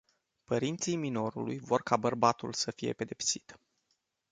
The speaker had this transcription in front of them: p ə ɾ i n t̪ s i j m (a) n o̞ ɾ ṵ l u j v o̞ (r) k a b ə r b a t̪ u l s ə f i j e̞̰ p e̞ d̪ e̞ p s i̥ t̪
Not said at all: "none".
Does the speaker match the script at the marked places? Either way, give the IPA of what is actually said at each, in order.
i, r

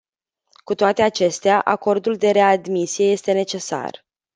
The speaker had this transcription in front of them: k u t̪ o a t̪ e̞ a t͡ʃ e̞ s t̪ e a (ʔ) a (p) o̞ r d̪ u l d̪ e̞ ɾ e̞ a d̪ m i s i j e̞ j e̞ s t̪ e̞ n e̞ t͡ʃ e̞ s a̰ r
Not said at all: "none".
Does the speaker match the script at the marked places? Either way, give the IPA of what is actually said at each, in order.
ʔ, k

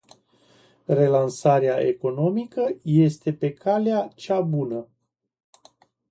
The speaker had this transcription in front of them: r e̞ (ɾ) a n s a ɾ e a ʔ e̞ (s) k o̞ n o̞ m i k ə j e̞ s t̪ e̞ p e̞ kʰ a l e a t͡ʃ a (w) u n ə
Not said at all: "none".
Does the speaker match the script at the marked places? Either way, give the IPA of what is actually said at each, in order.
l, none, b

